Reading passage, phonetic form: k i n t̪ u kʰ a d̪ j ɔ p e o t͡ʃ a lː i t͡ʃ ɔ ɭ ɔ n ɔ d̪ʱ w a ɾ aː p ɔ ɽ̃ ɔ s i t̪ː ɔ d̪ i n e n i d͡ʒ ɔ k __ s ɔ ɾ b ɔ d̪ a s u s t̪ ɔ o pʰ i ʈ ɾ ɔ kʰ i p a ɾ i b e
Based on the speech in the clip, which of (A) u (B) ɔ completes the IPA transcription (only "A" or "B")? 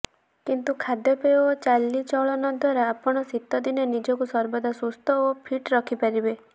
A